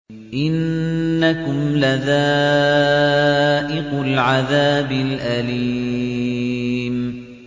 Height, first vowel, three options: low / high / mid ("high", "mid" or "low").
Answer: high